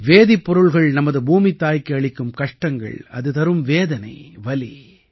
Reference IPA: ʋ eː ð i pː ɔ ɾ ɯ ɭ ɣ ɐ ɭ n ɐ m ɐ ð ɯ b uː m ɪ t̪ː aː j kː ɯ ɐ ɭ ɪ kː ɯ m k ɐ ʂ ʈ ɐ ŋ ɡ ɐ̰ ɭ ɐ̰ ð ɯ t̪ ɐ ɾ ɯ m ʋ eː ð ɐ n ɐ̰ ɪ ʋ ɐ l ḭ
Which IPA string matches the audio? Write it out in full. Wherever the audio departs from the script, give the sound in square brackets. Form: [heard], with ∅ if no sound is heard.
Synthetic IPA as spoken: ʋ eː ð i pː ɔ ɾ ɯ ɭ ɣ ɐ ɭ n ɐ m ɐ ð ɯ b uː m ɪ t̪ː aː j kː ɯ ɐ ɭ ɪ kː ɯ m k ɐ ʂ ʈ ɐ ŋ ɡ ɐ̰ ɭ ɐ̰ ð ɯ t̪ ɐ ɾ ɯ m ʋ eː ð ɐ n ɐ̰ ɪ ʋ ɐ l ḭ